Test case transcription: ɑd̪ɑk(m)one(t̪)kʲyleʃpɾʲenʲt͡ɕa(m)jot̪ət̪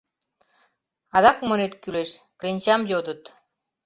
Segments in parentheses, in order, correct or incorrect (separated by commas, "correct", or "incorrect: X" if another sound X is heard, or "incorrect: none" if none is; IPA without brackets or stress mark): correct, correct, correct